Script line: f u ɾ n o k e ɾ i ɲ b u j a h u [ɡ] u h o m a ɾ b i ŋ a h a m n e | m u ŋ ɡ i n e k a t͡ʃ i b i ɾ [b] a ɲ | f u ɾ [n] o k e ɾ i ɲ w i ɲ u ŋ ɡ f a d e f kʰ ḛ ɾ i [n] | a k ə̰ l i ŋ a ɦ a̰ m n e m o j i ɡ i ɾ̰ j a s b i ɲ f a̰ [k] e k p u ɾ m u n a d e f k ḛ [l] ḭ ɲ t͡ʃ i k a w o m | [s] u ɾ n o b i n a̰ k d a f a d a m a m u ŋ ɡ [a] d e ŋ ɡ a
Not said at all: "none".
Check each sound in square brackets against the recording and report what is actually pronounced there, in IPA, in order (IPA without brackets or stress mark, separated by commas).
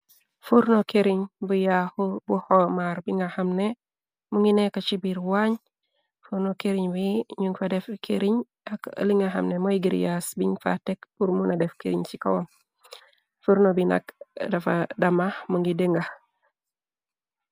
b, w, n, ɲ, t, ɾ, f, i